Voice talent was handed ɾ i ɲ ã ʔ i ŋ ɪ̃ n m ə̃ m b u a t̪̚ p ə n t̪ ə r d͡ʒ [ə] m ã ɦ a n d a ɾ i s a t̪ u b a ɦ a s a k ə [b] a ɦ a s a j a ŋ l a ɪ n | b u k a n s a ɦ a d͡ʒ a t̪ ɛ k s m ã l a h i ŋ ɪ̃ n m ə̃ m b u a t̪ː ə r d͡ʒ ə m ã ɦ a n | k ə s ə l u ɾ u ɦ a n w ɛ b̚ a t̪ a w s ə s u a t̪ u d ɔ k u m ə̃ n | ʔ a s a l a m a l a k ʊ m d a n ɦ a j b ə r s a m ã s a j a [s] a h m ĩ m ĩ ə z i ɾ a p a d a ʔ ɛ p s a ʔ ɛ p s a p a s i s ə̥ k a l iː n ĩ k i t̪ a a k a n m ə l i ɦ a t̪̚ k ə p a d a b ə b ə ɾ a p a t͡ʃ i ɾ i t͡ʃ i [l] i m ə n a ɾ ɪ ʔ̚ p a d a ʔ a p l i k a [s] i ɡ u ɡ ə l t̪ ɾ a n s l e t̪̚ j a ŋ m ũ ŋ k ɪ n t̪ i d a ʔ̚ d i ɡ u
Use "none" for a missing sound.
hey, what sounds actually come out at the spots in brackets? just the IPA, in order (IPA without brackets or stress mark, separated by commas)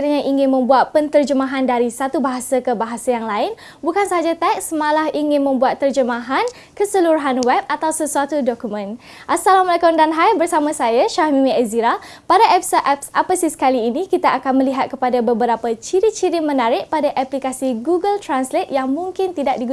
ə, b, ʃ, ɾ, s